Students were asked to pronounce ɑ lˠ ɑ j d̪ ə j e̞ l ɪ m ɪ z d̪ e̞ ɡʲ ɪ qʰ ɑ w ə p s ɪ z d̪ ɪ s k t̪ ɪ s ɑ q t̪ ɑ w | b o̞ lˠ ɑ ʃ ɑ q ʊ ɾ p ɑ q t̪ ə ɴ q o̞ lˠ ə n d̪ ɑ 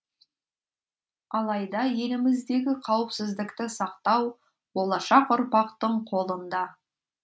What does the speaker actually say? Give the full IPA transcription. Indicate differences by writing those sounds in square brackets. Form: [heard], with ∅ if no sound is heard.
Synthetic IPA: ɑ lˠ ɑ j d̪ [ɑ] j e̞ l ɪ m ɪ z d̪ e̞ ɡʲ ɪ qʰ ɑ w ə p s ɪ z d̪ ɪ [∅] k t̪ ɪ s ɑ q t̪ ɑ w | b o̞ lˠ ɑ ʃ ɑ q ʊ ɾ p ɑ q t̪ ə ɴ [qʰ] o̞ lˠ ə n d̪ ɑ

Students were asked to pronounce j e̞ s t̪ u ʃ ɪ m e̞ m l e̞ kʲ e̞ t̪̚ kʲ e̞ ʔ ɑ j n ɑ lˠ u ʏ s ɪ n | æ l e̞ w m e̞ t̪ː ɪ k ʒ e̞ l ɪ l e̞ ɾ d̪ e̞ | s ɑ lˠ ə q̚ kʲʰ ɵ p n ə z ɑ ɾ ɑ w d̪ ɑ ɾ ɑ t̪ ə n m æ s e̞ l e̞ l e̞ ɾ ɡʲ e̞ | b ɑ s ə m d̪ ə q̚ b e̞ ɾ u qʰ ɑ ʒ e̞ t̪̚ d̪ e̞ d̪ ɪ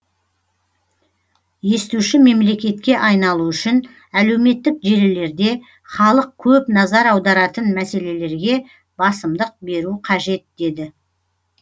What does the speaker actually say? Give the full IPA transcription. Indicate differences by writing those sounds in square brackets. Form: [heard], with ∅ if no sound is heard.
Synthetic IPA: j e̞ s t̪ u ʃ ɪ m e̞ m l e̞ kʲ e̞ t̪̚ kʲ e̞ ʔ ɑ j n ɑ lˠ u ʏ [ʃ] ɪ n | æ l e̞ w m e̞ t̪ː ɪ k ʒ e̞ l ɪ l e̞ ɾ d̪ e̞ | [χ] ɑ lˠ ə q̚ kʲʰ ɵ p n [ɑ] z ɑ ɾ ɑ w d̪ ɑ ɾ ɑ t̪ ə n m æ s e̞ l e̞ l e̞ ɾ ɡʲ e̞ | b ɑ s ə m d̪ ə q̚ b e̞ ɾ u qʰ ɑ ʒ e̞ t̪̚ d̪ e̞ d̪ ɪ

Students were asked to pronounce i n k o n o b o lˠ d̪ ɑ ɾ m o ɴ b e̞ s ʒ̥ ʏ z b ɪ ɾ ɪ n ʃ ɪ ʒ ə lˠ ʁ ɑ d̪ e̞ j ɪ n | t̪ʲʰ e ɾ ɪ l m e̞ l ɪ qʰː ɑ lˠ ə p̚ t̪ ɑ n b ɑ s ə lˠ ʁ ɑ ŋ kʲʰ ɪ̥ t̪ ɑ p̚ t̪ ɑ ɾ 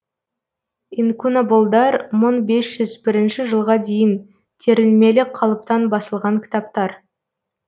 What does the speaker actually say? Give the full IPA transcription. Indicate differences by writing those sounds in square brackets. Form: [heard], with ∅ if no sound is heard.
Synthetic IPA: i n k [u] n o b o lˠ d̪ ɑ ɾ m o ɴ b e̞ s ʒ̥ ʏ z b ɪ ɾ ɪ n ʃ ɪ ʒ ə lˠ ʁ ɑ d̪ e̞ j ɪ n | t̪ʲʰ e ɾ ɪ l m e̞ l ɪ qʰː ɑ lˠ ə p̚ t̪ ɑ n b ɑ s ə lˠ ʁ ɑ ŋ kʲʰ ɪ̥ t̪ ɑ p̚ t̪ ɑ ɾ

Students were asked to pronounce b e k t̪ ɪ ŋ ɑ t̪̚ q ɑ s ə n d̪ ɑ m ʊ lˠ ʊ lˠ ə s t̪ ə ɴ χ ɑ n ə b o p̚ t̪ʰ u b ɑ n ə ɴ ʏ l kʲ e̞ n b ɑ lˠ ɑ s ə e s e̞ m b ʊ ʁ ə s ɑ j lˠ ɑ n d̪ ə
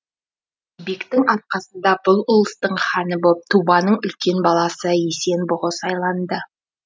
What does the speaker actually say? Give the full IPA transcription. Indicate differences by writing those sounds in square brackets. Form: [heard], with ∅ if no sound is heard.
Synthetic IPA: b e k t̪ ɪ ŋ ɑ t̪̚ q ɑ s ə n d̪ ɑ [b] ʊ lˠ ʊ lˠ ə s t̪ ə ɴ χ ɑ n ə b o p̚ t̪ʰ u b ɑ n ə ɴ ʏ l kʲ e̞ n b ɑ lˠ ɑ s ə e s e̞ [n] b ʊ ʁ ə s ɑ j lˠ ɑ n d̪ ə

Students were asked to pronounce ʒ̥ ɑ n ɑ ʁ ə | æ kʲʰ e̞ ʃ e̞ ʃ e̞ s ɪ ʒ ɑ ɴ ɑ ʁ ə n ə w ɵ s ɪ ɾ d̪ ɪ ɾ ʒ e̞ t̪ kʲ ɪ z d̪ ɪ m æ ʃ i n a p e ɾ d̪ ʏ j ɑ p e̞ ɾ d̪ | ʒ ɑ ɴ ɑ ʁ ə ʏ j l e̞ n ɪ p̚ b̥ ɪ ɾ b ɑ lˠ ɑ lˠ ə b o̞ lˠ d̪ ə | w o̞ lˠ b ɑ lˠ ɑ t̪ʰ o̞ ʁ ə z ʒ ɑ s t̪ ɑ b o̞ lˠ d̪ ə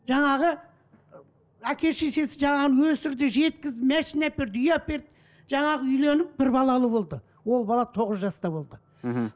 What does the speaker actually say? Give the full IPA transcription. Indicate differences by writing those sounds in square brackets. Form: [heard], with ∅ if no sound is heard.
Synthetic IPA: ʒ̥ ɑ [ɴ] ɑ ʁ ə | æ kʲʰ e̞ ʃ e̞ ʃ e̞ s ɪ ʒ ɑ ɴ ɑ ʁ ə n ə w ɵ s ɪ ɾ d̪ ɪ [∅] ʒ e̞ t̪ kʲ ɪ z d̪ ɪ m æ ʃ i n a p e ɾ d̪ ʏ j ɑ p e̞ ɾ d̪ | ʒ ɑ ɴ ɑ ʁ ə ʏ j l e̞ n ɪ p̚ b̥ ɪ ɾ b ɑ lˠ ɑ lˠ ə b o̞ lˠ d̪ ə | w o̞ lˠ b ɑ lˠ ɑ t̪ʰ o̞ ʁ ə z ʒ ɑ s t̪ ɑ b o̞ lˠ d̪ ə

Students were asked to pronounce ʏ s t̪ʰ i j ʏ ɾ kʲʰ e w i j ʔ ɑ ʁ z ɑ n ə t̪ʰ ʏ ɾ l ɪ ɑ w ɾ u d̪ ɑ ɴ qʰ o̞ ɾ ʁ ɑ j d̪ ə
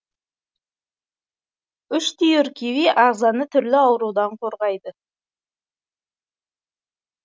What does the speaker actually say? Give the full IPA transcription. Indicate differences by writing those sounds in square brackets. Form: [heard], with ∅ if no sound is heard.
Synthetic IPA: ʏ [ʃ] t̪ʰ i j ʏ ɾ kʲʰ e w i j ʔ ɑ ʁ z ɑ n ə t̪ʰ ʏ ɾ l ɪ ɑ w ɾ u d̪ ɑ ɴ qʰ o̞ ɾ ʁ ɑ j d̪ ə

